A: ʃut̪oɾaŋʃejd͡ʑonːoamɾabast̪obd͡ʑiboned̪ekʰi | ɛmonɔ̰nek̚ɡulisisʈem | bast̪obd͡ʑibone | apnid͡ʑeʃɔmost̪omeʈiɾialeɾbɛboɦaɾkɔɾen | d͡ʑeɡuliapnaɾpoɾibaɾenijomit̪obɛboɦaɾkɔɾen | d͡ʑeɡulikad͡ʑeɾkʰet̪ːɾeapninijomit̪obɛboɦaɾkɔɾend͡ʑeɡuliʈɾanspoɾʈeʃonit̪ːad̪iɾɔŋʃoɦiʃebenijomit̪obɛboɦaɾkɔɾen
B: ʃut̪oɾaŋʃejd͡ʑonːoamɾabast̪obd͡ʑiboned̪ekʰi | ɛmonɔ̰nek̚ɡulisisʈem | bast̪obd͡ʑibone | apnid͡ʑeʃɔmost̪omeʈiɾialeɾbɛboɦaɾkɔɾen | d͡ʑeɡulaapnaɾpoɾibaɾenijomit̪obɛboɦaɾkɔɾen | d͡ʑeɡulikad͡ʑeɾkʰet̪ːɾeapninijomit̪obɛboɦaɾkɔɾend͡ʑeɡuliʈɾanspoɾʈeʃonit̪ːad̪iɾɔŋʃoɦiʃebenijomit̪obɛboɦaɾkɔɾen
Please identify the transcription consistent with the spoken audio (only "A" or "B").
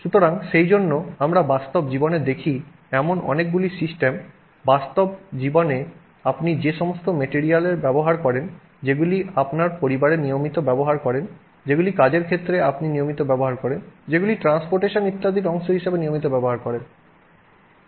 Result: A